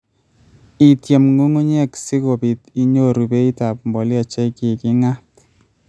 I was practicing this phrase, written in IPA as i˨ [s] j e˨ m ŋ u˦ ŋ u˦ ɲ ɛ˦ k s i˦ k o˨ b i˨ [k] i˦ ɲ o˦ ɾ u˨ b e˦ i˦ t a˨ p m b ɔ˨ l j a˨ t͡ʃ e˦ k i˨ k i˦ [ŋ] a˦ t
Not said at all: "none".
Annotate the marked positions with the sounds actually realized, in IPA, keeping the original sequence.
t, t, ŋ

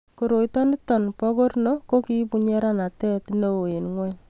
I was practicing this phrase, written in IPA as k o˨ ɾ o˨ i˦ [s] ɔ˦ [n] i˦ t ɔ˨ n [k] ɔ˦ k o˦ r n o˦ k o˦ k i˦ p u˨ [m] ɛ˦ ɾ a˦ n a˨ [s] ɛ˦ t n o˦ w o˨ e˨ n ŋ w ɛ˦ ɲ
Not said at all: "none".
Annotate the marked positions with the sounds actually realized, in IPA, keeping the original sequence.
t, n, p, ɲ, t

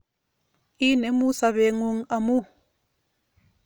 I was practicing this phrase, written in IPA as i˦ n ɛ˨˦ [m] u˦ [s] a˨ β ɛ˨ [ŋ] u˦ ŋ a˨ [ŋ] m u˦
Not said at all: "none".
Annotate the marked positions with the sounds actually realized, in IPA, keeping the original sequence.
m, s, ŋ, none

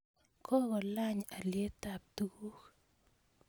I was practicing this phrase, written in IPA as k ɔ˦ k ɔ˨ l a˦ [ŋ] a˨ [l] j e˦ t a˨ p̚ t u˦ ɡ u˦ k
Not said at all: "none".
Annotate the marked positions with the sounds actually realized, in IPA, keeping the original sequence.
ɲ, l

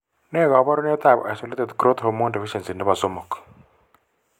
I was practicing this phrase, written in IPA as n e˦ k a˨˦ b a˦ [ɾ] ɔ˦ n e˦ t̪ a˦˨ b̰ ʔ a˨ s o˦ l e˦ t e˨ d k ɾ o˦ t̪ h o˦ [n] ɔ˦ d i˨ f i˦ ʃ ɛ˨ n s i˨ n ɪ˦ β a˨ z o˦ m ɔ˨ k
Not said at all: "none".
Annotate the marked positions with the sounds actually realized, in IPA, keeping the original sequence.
ɾ, m

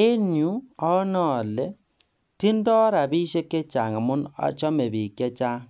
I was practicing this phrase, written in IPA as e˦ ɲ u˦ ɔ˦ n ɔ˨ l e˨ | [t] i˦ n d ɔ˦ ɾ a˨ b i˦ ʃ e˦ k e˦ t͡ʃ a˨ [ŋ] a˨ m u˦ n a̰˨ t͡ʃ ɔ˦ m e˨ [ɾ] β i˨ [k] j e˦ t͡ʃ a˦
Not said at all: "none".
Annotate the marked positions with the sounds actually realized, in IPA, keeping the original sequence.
t, ŋ, none, k

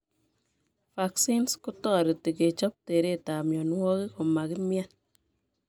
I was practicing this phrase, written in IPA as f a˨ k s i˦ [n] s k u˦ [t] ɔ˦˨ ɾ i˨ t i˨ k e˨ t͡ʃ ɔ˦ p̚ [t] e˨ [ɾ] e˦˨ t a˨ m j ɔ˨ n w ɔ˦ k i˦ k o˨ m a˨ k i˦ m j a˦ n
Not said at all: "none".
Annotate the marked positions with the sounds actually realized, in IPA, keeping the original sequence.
n, t, t, ɾ

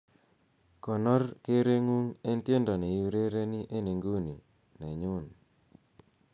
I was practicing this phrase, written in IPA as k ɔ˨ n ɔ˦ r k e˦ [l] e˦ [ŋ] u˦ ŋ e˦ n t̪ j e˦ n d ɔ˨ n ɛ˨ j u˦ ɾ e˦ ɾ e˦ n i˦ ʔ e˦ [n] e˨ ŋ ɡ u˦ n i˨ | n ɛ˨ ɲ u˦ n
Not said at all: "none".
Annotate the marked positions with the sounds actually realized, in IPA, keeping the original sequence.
ɾ, ŋ, n

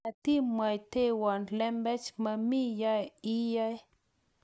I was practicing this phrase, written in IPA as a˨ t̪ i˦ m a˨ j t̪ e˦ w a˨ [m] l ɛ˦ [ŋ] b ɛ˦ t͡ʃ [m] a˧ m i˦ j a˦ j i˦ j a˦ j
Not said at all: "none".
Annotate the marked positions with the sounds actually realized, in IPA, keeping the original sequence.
n, m, m

